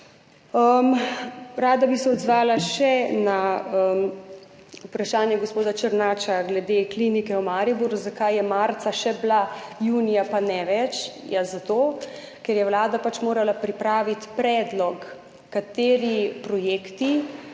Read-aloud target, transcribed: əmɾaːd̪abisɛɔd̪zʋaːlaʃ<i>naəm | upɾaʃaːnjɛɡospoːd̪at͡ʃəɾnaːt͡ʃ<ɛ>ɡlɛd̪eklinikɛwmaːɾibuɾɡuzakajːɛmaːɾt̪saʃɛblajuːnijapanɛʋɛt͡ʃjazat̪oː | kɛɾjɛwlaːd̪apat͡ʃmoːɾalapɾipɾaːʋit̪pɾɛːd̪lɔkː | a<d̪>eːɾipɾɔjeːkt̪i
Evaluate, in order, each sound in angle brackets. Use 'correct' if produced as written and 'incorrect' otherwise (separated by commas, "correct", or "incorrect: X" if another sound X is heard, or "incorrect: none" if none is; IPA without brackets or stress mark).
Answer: incorrect: ɛ, incorrect: a, incorrect: t̪